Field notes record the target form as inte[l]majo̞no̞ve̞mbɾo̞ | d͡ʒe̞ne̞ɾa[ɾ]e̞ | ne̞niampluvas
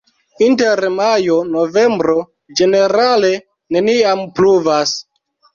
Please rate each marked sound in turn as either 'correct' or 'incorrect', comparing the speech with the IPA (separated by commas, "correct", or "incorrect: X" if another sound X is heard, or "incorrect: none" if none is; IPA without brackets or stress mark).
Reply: incorrect: ɾ, incorrect: l